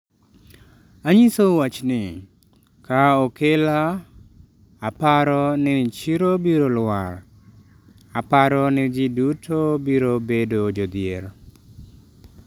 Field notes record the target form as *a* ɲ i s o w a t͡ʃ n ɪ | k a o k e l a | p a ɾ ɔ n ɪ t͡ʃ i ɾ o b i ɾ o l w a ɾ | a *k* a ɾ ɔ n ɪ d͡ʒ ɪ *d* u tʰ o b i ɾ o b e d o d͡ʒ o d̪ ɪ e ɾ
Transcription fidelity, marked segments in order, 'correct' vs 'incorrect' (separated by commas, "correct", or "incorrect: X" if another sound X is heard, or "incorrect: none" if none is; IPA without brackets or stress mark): correct, incorrect: p, correct